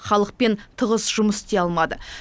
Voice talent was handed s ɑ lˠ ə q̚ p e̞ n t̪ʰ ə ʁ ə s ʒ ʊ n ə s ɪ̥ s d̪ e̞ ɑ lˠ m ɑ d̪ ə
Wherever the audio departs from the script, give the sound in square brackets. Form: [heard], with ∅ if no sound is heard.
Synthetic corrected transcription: [χ] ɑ lˠ ə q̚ p e̞ n t̪ʰ ə ʁ ə s ʒ ʊ [m] ə s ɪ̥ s [t̪] e̞ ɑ lˠ m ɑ d̪ ə